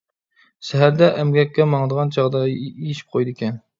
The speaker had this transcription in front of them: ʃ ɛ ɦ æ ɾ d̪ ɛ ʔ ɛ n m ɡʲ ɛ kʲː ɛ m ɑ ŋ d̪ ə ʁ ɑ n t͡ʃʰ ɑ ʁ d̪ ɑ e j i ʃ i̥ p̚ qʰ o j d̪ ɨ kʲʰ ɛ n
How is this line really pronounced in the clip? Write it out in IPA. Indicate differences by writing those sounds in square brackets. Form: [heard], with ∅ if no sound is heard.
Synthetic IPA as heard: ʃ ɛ ɦ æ ɾ d̪ ɛ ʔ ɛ [∅] m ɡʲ ɛ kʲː ɛ m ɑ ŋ d̪ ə ʁ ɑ n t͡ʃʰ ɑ ʁ d̪ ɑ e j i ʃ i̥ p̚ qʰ o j d̪ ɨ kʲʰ ɛ n